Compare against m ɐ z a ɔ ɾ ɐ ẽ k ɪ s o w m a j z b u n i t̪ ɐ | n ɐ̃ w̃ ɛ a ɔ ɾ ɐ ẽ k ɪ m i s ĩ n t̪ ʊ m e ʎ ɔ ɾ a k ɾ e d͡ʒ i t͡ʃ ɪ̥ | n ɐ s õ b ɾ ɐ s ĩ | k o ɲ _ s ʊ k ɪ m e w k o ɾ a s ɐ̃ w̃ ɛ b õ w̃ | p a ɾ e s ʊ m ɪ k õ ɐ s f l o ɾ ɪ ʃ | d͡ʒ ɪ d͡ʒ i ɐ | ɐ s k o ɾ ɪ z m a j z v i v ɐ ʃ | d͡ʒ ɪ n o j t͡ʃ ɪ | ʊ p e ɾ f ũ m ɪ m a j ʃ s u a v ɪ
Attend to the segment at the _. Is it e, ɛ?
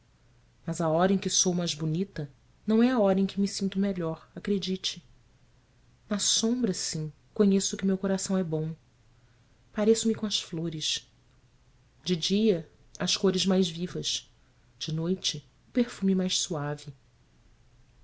e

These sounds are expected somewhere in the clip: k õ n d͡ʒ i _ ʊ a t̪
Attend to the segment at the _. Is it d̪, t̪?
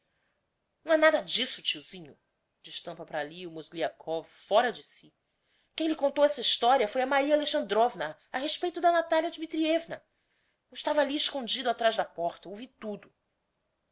d̪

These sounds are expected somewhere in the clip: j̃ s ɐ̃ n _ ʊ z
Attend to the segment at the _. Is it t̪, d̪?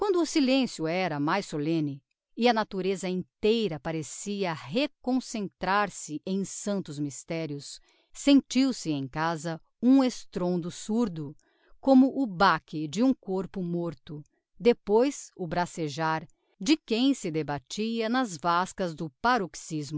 t̪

